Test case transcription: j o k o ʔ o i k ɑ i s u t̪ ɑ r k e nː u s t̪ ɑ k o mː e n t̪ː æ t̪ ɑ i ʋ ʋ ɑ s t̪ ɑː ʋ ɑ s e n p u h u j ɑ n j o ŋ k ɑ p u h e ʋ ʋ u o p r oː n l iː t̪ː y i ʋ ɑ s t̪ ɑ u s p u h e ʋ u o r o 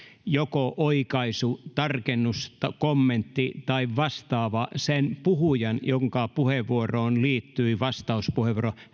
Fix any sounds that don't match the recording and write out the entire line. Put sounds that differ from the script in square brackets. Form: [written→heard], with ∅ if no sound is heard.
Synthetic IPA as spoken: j o k o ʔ o i k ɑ i s u t̪ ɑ r k e nː u s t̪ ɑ k o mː e n t̪ː [æ→i] t̪ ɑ i ʋ ʋ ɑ s t̪ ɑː ʋ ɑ s e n p u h u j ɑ n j o ŋ k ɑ p u h e ʋ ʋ u o [p→∅] r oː n l iː t̪ː y i ʋ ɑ s t̪ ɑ u s p u h e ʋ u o r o